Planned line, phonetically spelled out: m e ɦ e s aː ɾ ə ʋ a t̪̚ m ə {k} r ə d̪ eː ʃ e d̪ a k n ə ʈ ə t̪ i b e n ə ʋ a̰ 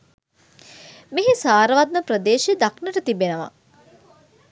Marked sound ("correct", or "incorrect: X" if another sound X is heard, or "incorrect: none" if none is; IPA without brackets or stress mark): incorrect: p